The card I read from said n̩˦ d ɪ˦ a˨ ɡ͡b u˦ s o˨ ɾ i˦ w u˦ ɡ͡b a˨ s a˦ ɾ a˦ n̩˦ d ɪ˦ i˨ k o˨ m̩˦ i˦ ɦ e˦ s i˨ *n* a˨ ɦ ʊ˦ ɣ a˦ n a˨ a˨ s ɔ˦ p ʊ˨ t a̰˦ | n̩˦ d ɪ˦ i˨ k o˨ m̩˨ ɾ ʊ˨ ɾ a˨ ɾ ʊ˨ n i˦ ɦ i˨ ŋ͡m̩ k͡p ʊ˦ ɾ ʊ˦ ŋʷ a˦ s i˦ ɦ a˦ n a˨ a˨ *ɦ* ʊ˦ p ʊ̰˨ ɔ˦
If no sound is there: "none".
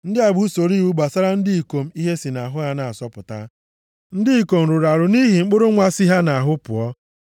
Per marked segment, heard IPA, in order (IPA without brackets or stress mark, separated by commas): n, ɦ